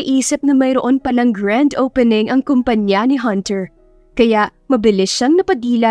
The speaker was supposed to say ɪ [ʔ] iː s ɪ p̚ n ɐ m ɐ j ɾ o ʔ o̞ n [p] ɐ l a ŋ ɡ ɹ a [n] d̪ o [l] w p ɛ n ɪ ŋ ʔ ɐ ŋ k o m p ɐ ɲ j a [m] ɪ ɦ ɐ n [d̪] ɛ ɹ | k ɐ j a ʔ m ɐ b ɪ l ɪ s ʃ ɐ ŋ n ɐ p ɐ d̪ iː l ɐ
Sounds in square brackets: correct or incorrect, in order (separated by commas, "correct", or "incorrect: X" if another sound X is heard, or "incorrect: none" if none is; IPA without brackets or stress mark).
correct, correct, correct, incorrect: none, incorrect: n, incorrect: t̪